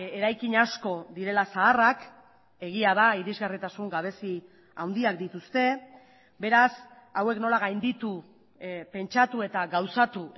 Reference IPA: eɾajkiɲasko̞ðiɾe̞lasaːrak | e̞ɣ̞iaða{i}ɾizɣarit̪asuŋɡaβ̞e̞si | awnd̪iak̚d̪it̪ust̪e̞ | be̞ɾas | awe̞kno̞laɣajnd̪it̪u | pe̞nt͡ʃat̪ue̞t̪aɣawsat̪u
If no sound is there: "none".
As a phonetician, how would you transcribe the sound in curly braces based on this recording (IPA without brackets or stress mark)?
i